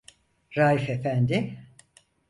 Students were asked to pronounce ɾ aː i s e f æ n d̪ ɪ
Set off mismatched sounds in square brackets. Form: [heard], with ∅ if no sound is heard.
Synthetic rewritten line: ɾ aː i [f] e f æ n d̪ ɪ